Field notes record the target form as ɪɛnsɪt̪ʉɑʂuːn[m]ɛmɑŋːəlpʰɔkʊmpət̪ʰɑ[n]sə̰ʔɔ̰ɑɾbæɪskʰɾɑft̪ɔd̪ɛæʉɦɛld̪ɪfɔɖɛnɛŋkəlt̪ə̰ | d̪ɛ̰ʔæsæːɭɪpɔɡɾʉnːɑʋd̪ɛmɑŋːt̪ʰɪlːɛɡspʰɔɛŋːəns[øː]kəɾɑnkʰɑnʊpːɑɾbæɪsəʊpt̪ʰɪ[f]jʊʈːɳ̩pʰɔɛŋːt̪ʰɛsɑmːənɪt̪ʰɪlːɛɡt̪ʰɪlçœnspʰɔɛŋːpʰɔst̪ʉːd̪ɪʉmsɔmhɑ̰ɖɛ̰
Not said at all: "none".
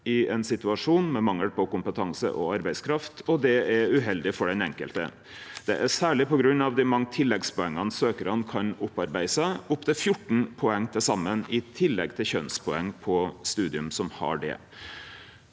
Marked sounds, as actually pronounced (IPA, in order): m, ŋ, øː, f

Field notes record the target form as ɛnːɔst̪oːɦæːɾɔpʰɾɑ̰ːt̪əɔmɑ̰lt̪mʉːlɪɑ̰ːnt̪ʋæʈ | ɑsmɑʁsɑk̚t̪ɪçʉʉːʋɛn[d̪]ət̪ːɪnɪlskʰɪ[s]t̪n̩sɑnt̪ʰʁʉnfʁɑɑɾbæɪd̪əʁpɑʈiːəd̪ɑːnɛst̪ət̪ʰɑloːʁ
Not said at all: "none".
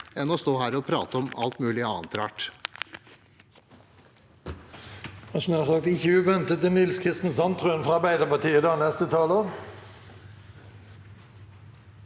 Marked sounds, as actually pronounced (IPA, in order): t̪, s

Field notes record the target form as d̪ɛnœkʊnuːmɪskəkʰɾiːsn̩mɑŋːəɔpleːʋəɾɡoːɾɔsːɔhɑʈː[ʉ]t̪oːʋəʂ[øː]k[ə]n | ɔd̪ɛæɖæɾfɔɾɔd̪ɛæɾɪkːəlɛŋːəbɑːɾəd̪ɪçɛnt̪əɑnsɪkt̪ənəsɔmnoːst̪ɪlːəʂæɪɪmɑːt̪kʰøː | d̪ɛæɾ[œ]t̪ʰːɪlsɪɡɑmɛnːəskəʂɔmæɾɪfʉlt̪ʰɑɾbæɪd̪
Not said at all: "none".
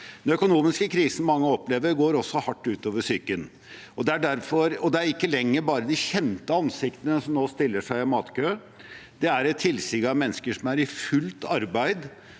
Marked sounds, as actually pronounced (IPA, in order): ʉː, yː, ə, ɛ

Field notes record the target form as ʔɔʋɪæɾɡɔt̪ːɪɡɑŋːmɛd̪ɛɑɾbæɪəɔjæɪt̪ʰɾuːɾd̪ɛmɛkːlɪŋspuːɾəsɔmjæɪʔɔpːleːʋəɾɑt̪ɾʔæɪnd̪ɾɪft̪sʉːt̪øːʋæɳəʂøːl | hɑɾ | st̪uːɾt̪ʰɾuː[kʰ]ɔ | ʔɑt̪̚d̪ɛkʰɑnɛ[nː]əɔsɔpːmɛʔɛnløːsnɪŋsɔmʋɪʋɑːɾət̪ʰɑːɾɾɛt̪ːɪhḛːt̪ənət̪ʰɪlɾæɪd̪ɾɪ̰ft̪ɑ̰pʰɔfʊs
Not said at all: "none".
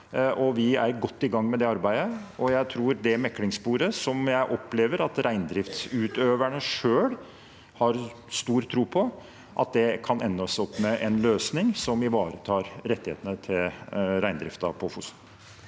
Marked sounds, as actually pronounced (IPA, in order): pʰ, nː

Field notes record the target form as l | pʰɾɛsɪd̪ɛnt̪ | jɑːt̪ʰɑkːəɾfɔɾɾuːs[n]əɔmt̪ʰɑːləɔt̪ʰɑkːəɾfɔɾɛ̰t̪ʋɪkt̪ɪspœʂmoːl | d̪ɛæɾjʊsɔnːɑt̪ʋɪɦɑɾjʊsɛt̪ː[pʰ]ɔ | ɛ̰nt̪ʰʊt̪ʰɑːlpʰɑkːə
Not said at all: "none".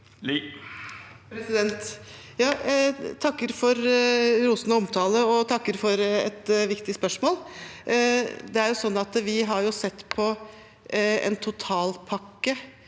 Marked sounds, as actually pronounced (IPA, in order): n, pʰ

